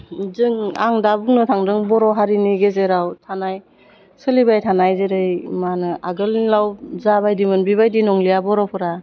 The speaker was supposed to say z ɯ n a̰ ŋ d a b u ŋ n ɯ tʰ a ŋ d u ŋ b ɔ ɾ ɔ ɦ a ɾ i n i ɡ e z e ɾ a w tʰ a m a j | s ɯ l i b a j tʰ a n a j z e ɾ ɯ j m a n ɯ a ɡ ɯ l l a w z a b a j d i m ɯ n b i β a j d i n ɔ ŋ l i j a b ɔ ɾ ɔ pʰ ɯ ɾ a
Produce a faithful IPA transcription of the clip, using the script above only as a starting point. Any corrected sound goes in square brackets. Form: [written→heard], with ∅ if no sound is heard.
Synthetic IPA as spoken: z ɯ [n→ŋ] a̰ ŋ d a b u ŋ n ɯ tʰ a ŋ d [u→ɯ] ŋ b ɔ ɾ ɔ ɦ a ɾ i n i ɡ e z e ɾ a w tʰ a [m→n] a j | s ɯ l i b a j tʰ a n a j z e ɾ ɯ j m a n ɯ a ɡ ɯ l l a w z a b a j d i m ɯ n b i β a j d i n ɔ ŋ l i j a b ɔ ɾ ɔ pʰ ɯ ɾ a